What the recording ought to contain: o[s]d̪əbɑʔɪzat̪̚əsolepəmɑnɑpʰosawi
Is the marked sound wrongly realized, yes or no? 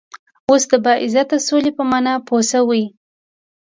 no